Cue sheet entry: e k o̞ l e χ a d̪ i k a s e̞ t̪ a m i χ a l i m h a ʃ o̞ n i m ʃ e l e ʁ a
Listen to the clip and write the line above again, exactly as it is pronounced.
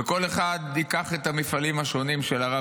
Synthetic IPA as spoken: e k o̞ l e χ a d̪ i k a χ e̞ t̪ a m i f a l i m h a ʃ o̞ n i m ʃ e l a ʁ a